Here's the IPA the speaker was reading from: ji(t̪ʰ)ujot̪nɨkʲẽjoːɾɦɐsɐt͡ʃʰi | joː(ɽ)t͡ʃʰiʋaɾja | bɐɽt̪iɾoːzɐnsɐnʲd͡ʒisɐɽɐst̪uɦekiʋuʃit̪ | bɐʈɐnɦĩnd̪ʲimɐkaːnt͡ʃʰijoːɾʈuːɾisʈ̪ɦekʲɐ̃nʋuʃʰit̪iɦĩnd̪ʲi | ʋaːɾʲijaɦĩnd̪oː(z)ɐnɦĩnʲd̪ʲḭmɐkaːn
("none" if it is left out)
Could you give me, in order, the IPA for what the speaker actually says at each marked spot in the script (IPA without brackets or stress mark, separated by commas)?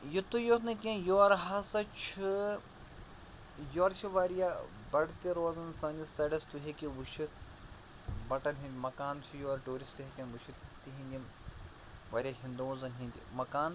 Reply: t̪, ɾ, z